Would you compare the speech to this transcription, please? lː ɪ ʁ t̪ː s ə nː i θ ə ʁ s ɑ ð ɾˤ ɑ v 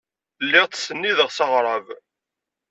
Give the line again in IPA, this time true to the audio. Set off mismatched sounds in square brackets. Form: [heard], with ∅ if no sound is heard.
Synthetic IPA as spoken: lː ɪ ʁ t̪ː s ə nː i [ð] ə ʁ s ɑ [ʁ] ɾˤ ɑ v